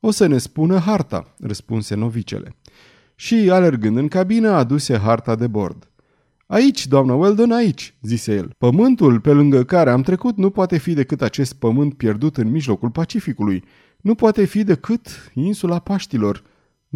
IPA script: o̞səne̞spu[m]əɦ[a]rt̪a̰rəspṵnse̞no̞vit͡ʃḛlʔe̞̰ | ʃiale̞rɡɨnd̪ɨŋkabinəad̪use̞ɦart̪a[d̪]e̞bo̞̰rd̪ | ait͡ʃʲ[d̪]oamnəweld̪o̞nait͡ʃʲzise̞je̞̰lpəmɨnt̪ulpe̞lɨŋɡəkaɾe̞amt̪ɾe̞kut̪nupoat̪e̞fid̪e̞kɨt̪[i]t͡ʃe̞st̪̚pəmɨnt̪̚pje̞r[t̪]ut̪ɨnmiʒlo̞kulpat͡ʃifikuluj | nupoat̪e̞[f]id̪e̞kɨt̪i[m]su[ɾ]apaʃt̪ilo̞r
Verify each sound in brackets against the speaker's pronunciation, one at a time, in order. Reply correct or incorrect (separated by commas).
incorrect, correct, correct, correct, incorrect, incorrect, correct, incorrect, incorrect